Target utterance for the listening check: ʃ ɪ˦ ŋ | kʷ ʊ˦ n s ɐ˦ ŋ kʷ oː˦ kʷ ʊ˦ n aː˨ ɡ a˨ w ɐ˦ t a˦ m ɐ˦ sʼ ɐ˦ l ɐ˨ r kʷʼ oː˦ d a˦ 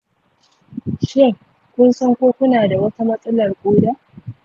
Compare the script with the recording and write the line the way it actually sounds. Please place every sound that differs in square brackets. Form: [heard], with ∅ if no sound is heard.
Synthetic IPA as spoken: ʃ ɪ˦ ŋ | kʷ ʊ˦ n s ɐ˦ ŋ kʷ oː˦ kʷ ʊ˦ n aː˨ [d] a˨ w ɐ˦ t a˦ m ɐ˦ sʼ ɐ˦ l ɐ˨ r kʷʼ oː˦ d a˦